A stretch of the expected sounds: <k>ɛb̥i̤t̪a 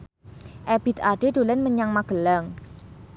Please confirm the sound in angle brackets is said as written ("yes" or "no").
no